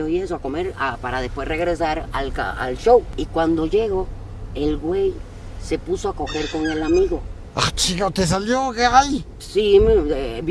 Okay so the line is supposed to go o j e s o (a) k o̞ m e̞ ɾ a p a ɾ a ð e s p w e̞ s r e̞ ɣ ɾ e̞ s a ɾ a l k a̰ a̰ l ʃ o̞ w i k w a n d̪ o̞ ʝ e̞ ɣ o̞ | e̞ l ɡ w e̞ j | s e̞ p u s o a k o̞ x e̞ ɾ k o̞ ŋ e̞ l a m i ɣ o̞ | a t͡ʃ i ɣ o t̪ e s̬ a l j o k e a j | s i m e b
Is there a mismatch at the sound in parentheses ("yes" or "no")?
no